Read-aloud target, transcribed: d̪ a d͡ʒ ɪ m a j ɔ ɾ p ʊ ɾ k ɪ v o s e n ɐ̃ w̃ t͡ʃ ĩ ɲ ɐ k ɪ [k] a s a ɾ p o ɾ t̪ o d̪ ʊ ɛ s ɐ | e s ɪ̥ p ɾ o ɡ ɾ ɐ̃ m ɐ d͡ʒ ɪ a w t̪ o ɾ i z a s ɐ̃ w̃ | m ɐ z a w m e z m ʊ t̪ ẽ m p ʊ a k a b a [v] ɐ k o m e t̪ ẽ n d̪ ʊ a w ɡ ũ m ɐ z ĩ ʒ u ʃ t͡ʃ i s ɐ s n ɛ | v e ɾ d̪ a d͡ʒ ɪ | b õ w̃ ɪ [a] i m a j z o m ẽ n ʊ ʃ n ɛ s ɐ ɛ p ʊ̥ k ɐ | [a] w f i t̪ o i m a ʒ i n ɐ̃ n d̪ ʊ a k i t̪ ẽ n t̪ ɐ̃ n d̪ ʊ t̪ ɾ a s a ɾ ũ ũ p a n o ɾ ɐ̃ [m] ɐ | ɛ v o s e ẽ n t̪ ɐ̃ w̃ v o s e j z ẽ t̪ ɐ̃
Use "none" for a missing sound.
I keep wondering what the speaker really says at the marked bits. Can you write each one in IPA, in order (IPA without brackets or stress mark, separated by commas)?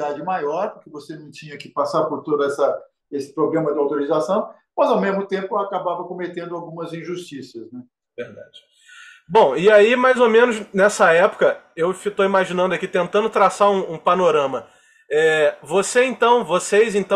p, v, a, e, m